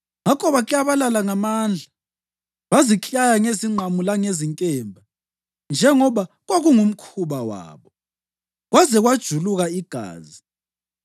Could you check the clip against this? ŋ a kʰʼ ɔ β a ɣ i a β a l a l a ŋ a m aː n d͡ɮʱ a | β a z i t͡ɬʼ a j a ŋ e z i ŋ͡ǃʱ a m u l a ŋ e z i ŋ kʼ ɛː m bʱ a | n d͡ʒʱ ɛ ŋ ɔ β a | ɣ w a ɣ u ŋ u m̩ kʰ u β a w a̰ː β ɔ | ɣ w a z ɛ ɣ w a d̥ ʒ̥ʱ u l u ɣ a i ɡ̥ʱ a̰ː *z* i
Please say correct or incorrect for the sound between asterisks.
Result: correct